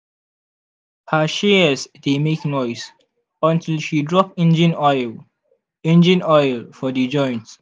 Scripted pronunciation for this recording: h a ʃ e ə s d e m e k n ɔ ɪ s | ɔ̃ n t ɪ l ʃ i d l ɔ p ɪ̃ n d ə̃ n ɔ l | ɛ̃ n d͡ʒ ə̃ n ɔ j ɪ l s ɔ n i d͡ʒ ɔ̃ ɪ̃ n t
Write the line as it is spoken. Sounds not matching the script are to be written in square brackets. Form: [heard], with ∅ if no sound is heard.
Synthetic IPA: h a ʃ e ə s d e m e k n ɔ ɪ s | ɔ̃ n t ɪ l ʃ i d [ɹ] ɔ p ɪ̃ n [d͡ʒ] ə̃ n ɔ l | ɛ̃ n d͡ʒ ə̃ n ɔ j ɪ l [f] ɔ [d] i d͡ʒ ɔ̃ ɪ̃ n t